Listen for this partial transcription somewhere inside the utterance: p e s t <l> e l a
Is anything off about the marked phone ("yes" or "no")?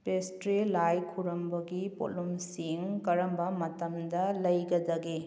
yes